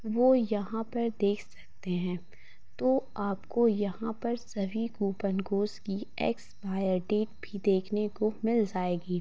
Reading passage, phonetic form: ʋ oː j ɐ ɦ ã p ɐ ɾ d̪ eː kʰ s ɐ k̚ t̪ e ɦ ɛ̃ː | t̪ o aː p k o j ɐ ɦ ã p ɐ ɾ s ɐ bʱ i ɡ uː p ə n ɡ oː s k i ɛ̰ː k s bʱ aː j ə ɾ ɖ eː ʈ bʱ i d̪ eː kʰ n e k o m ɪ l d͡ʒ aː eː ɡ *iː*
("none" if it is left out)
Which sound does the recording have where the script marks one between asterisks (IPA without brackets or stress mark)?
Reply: iː